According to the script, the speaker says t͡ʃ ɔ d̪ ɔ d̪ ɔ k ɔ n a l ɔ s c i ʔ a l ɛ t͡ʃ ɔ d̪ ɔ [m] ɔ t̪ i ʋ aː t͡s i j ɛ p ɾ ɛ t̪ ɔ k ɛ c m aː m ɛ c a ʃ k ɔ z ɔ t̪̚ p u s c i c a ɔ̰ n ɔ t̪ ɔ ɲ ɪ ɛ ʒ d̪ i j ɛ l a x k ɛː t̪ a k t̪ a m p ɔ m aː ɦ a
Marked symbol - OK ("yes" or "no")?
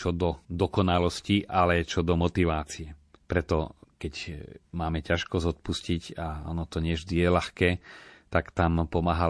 yes